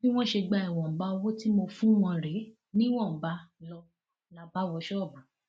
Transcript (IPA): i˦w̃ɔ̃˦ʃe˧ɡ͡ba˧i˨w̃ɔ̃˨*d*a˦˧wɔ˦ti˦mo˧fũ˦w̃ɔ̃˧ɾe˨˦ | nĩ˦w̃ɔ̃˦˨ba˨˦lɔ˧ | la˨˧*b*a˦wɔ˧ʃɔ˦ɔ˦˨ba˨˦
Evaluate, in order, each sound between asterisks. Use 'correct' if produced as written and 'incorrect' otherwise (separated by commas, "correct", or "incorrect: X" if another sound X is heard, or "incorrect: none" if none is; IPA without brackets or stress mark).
incorrect: b, correct